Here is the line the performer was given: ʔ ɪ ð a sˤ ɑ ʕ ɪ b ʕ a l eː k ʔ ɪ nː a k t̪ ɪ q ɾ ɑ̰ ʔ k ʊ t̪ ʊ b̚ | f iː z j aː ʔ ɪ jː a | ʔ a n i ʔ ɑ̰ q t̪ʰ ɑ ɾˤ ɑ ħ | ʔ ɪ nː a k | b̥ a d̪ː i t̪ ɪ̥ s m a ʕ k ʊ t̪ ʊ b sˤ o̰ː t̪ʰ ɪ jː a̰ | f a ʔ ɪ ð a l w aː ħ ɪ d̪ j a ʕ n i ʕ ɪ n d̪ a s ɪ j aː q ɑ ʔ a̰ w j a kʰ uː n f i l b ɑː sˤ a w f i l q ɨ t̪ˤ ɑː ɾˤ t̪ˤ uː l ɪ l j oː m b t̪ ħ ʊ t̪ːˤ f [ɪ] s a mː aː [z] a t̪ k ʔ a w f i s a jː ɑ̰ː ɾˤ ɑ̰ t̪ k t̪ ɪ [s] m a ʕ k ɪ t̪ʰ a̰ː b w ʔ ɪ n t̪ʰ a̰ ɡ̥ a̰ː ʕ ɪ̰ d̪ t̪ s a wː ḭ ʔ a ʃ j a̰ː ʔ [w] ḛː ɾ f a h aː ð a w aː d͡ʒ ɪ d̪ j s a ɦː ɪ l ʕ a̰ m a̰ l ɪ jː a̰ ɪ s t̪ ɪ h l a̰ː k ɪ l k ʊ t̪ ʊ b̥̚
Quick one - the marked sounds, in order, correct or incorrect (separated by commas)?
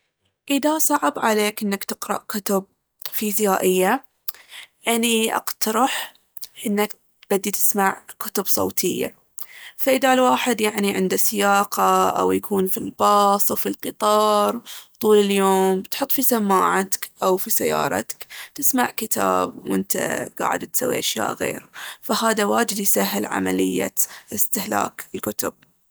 incorrect, incorrect, correct, incorrect